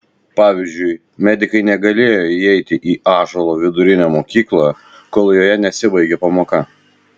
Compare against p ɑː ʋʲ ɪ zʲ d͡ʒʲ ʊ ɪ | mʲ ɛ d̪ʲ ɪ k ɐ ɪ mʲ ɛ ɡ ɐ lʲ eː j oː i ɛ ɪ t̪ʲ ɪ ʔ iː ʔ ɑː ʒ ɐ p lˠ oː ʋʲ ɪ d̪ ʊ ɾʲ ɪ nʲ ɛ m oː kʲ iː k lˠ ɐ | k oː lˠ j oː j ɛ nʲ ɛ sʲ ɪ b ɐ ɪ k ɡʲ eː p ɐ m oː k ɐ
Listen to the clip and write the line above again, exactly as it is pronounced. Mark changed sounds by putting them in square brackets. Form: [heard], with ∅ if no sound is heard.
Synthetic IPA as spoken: p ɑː ʋʲ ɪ zʲ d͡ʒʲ ʊ ɪ | mʲ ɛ d̪ʲ ɪ k ɐ ɪ [nʲ] ɛ ɡ ɐ lʲ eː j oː i ɛ ɪ t̪ʲ ɪ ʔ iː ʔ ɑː ʒ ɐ [∅] lˠ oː ʋʲ ɪ d̪ ʊ ɾʲ ɪ nʲ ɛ m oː kʲ iː k lˠ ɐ | k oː lˠ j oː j ɛ nʲ ɛ sʲ ɪ b ɐ ɪ [∅] ɡʲ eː p ɐ m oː k ɐ